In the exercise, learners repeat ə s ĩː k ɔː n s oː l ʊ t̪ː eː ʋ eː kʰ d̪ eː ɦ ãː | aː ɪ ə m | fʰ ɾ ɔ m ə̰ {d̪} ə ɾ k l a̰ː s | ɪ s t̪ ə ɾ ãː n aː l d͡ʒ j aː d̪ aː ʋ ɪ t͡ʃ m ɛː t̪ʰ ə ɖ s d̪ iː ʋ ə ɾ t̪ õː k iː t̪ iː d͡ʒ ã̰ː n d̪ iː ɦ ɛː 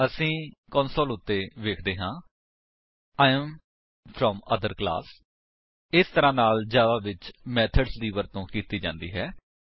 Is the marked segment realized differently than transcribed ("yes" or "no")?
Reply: no